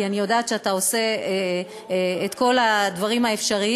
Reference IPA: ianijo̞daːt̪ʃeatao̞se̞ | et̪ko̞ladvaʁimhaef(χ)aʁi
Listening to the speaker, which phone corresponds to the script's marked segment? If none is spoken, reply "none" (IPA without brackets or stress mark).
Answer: ʃ